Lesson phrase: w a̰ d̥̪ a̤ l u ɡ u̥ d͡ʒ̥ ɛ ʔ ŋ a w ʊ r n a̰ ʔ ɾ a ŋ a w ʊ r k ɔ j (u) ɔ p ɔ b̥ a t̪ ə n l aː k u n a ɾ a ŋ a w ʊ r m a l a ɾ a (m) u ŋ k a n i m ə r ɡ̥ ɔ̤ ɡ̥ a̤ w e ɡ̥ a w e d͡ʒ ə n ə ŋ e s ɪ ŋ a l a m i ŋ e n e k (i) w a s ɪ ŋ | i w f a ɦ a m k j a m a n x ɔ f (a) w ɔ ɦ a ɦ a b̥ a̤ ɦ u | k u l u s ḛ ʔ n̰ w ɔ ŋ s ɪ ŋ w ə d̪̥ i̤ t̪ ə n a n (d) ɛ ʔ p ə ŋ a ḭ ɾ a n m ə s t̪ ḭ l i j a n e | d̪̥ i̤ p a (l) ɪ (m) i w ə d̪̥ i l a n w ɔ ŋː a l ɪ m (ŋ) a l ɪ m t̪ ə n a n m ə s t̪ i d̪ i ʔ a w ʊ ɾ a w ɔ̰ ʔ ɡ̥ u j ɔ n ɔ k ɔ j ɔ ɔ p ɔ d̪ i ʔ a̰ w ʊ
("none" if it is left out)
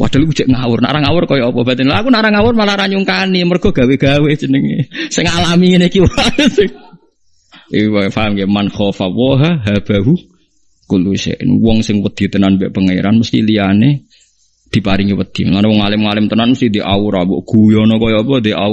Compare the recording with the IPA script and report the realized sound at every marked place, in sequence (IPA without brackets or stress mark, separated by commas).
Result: ɔ, ɲ, i, a, b, ɾ, ŋ, ŋ